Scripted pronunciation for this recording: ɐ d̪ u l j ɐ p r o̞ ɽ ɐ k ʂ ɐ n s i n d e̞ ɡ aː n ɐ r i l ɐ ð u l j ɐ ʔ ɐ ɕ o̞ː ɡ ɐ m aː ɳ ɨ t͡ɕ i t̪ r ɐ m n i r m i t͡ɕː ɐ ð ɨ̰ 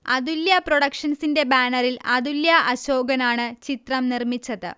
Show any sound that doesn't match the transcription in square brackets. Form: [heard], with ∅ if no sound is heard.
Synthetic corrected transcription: ɐ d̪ u l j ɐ p r o̞ ɽ ɐ k ʂ ɐ n s i n d e̞ [b] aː n ɐ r i l ɐ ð u l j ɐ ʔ ɐ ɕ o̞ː ɡ ɐ [n] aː ɳ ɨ t͡ɕ i t̪ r ɐ m n i r m i t͡ɕː ɐ ð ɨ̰